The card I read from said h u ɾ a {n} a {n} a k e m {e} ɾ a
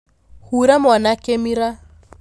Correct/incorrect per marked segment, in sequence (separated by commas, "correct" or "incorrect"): incorrect, correct, incorrect